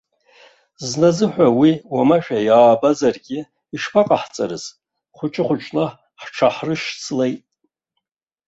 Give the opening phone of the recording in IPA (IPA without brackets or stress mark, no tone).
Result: z